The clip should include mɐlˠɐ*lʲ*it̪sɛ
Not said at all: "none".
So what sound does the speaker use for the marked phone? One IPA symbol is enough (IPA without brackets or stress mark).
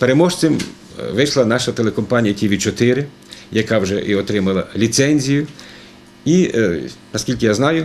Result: lʲ